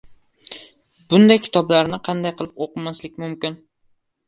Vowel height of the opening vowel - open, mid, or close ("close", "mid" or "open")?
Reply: close